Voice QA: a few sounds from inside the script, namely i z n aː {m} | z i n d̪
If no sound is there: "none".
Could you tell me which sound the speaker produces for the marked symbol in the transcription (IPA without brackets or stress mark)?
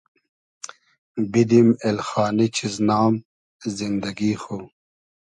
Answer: m